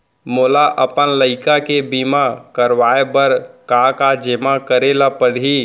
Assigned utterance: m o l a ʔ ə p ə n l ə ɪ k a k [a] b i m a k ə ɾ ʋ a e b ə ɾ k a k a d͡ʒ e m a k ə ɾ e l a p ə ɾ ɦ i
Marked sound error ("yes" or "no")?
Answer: yes